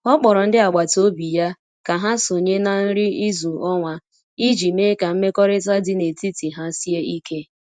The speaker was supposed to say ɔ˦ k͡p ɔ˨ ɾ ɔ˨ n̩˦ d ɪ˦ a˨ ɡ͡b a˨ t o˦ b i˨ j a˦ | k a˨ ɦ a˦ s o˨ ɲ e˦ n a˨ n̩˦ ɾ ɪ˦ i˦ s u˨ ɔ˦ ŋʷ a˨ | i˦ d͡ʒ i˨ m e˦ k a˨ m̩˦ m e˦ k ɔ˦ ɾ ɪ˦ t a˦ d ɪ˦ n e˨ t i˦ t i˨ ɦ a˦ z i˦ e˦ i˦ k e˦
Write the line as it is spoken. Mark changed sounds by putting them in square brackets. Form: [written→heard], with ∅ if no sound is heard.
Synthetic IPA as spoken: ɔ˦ k͡p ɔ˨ ɾ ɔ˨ n̩˦ d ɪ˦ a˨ ɡ͡b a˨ t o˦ b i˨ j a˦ | k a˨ ɦ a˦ s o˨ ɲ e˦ n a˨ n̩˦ ɾ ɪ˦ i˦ [s→z] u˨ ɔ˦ ŋʷ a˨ | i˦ d͡ʒ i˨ m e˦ k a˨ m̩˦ m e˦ k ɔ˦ ɾ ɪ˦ t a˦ d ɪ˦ n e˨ t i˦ t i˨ ɦ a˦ [z→s] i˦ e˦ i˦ k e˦